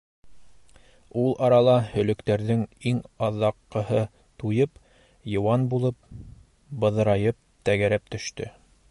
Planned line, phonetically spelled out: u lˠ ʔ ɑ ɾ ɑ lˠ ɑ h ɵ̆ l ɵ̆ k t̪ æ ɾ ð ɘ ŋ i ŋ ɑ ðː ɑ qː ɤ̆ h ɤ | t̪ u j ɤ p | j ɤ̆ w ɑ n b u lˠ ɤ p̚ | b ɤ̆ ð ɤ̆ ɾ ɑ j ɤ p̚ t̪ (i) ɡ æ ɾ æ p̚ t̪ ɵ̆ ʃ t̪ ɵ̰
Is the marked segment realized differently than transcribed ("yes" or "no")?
yes